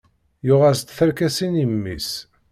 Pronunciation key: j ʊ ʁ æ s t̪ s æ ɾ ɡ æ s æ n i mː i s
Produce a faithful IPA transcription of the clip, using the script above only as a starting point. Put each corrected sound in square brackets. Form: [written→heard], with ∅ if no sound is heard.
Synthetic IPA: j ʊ ʁ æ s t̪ [s→θ] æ ɾ [ɡ→k] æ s [æ→i] n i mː i s